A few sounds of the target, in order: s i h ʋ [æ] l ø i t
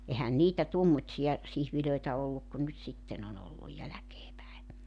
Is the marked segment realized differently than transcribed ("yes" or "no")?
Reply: yes